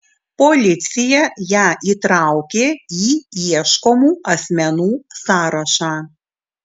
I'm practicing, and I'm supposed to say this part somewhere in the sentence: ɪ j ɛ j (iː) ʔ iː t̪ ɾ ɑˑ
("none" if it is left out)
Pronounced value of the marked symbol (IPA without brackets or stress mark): æː